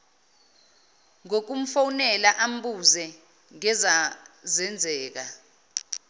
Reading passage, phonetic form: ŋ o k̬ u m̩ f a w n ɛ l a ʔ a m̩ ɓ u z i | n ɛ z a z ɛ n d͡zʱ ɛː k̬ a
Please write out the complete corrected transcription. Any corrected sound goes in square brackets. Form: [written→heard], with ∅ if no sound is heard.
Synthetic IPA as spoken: ŋ o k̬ u m̩ f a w n ɛ l a ʔ a m̩ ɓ u z [i→ɛ] | [n→ŋ] ɛ z a z ɛ n d͡zʱ ɛː k̬ a